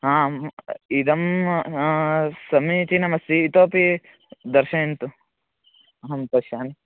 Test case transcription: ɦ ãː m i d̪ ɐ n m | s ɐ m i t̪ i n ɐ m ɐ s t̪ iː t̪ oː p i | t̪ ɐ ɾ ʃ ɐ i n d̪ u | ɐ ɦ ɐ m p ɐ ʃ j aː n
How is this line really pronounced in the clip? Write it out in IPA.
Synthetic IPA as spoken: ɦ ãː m i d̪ ɐ m | s ɐ m i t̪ i n ɐ m ɐ s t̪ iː t̪ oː p i | d̪ ɐ ɾ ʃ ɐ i n t̪ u | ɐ ɦ ɐ m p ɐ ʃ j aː n

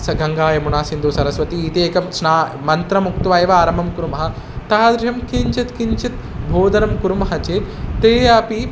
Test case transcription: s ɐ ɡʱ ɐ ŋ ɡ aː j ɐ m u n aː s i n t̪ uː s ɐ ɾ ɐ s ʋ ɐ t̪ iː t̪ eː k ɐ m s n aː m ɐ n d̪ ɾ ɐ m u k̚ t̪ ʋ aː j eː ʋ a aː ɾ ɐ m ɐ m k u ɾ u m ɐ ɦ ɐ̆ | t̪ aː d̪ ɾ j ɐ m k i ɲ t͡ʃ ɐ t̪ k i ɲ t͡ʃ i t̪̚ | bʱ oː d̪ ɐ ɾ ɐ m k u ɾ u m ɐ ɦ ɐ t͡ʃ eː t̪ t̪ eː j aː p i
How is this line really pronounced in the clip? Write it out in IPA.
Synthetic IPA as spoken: s ɐ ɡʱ ɐ ŋ ɡ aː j ɐ m u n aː s i n d̪ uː s ɐ ɾ ɐ s ʋ ɐ t̪ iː t̪ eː k ɐ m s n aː m ɐ n t̪ ɾ ɐ m u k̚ t̪ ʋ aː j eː ʋ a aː ɾ ɐ m ɐ m k u ɾ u m ɐ ɦ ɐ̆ | t̪ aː d̪ ɾ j ɐ m k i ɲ t͡ʃ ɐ t̪ k i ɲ t͡ʃ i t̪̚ | bʱ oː d̪ ɐ ɾ ɐ m k u ɾ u m ɐ ɦ ɐ t͡ʃ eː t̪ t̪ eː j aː p i

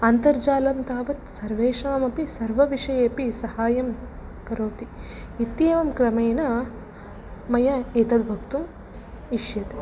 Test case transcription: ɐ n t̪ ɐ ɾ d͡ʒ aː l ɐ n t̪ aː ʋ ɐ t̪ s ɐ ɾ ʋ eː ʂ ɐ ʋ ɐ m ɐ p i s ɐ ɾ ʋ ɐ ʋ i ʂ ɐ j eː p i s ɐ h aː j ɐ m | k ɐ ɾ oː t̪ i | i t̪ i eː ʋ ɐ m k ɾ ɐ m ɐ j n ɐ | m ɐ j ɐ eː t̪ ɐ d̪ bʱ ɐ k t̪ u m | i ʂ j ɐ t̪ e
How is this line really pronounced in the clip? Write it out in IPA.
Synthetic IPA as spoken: ɐ n t̪ ɐ ɾ d͡ʒ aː l ɐ m t̪ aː ʋ ɐ t̪ s ɐ ɾ ʋ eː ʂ ɐ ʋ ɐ m ɐ p i s ɐ ɾ ʋ ɐ ʋ i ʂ ɐ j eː p i s ɐ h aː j ɐ m | k ɐ ɾ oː t̪ i | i t̪ j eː ʋ ɐ m k ɾ ɐ m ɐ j n ɐ | m ɐ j ɐ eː t̪ ɐ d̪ bʱ ɐ k t̪ u m | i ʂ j ɐ t̪ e

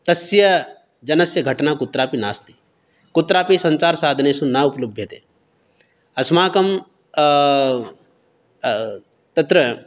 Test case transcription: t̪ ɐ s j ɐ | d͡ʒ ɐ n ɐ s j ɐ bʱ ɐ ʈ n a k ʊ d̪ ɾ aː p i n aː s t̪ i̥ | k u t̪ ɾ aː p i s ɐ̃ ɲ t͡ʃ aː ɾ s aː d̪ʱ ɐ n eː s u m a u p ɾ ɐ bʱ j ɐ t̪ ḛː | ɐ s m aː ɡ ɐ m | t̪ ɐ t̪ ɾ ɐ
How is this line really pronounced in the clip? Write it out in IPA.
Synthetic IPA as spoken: t̪ ɐ s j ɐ | d͡ʒ ɐ n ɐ s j ɐ ɡʱ ɐ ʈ n a k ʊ t̪ ɾ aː p i n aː s t̪ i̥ | k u t̪ ɾ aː p i s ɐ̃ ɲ t͡ʃ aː ɾ s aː d̪ʱ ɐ n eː s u n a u p l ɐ bʱ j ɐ t̪ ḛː | ɐ s m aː k ɐ m | t̪ ɐ t̪ ɾ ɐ

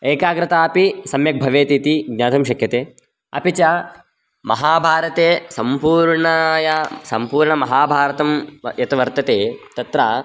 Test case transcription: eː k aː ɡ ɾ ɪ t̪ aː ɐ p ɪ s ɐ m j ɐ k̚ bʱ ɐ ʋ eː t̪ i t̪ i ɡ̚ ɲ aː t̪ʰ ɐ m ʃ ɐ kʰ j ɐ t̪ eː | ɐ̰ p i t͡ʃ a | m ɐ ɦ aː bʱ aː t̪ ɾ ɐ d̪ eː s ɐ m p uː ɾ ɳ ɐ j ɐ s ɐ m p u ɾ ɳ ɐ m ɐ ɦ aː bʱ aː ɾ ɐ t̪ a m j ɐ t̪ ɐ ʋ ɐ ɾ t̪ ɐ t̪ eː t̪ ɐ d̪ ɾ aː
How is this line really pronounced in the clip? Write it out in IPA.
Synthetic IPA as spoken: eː k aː ɡ ɾ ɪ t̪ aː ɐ p i s ɐ m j ɐ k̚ bʱ ɐ ʋ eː t̪ i t̪ i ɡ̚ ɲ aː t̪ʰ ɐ m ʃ ɐ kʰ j ɐ t̪ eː | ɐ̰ p i t͡ʃ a | m ɐ ɦ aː bʱ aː ɾ ɐ t̪ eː s ɐ m p uː ɾ ɳ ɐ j ɐ s ɐ m p uː ɾ ɳ ɐ m ɐ ɦ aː bʱ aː ɾ ɐ t̪ ɐ m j ɐ t̪ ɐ ʋ ɐ ɾ t̪ ɐ t̪ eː t̪ ɐ t̪ ɾ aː

